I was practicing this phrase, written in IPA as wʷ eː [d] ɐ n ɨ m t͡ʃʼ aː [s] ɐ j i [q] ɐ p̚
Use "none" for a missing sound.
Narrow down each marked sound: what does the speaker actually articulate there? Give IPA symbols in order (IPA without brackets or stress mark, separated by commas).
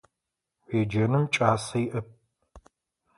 d͡ʒ, s, ʔ